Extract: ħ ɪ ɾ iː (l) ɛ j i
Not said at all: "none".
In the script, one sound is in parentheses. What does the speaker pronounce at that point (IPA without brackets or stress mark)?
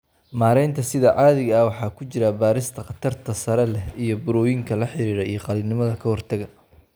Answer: ɾ